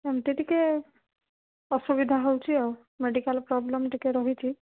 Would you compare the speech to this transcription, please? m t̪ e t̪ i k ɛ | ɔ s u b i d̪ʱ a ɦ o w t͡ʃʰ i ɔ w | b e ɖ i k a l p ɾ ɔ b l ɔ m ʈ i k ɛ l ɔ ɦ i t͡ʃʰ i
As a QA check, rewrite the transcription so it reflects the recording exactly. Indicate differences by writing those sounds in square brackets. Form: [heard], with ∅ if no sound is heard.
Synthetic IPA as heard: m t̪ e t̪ i k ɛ | ɔ s u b i d̪ʱ a ɦ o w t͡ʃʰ i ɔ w | [m] e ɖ i k a l p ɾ ɔ b l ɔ m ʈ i k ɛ [ɾ] ɔ ɦ i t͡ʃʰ i